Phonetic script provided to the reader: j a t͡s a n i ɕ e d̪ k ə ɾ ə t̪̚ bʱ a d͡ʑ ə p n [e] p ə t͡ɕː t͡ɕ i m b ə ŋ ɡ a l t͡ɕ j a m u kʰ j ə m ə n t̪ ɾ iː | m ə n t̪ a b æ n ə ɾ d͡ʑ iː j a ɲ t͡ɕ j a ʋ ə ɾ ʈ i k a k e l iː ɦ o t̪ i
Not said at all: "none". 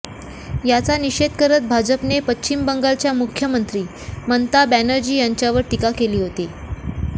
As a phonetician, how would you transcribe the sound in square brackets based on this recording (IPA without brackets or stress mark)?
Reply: e